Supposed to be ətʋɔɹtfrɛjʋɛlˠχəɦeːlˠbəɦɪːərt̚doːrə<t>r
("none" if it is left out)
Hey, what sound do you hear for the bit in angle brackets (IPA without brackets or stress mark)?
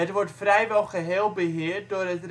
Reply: t